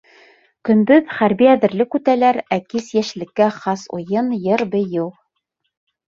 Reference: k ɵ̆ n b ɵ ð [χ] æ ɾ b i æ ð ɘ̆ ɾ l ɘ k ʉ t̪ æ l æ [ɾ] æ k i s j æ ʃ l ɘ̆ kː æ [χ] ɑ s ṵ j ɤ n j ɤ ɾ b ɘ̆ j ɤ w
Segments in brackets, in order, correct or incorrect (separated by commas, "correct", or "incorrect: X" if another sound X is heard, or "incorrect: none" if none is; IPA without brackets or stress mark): correct, correct, correct